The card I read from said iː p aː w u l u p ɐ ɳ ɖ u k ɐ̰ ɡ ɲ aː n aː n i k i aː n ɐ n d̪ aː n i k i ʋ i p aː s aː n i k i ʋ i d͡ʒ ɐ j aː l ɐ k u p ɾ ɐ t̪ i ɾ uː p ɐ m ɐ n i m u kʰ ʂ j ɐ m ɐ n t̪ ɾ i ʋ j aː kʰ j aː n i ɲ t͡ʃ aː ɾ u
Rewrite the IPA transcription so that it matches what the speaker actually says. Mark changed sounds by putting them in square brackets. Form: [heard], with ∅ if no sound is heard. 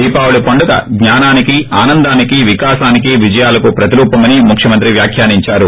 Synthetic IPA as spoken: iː p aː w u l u p ɐ ɳ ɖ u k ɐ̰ ɡ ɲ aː n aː n i k i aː n ɐ n d̪ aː n i k i ʋ i [k] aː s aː n i k i ʋ i d͡ʒ ɐ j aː l ɐ k u p ɾ ɐ t̪ i ɾ uː p ɐ m ɐ n i m u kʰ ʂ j ɐ m ɐ n t̪ ɾ i ʋ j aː kʰ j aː n i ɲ t͡ʃ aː ɾ u